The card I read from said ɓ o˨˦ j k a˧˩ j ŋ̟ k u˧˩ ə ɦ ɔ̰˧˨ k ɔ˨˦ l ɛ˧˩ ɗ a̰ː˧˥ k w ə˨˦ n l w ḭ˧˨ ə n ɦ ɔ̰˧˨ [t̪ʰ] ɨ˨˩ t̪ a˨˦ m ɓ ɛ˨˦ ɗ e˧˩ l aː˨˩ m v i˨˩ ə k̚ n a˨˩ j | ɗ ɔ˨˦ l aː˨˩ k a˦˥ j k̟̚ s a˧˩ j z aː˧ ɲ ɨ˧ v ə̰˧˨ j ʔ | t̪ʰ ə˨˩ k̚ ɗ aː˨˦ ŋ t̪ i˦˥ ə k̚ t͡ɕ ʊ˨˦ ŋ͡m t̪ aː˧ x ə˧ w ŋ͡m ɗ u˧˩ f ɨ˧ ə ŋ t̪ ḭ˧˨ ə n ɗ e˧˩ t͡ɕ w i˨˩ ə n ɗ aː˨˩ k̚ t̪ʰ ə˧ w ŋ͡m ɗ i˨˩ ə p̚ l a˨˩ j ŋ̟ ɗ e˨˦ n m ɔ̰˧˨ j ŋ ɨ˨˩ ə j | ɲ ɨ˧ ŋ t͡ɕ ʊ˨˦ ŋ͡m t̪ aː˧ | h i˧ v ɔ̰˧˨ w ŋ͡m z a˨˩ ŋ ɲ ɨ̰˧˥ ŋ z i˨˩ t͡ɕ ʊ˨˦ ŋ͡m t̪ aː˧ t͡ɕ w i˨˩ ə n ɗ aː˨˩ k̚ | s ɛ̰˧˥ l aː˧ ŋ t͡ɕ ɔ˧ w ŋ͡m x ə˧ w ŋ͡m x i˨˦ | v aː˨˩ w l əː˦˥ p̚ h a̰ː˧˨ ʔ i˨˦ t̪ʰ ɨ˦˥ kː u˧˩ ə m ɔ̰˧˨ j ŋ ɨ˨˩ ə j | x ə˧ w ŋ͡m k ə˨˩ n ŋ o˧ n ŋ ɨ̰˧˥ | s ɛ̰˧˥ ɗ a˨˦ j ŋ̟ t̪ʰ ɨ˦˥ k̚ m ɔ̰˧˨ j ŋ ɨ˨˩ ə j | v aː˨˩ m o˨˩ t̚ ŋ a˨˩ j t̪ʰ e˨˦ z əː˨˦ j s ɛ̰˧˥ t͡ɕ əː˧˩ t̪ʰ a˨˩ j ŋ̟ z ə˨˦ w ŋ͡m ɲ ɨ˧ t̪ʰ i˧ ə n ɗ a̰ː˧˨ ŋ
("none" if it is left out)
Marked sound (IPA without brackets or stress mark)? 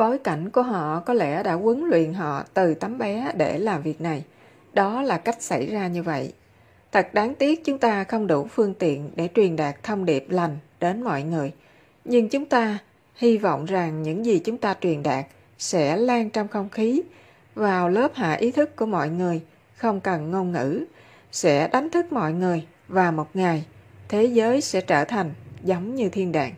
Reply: t̪